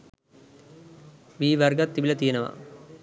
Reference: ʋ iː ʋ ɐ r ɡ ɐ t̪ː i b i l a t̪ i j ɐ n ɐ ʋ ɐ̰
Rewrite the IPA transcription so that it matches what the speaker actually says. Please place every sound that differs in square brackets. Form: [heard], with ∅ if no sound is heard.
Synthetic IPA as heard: ʋ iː ʋ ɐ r ɡ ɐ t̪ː i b i l [ɐ] t̪ i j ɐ n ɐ ʋ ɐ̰